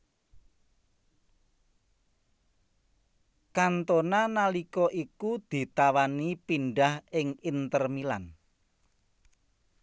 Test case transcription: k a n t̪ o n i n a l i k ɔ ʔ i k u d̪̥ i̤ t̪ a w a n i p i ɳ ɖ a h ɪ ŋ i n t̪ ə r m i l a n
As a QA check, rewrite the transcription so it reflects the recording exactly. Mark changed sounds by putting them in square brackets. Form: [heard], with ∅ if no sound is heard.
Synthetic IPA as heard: k a n t̪ o n [a] n a l i k ɔ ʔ i k u d̪̥ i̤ t̪ a w a n i p i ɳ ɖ a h ɪ ŋ i n t̪ ə r m i l a n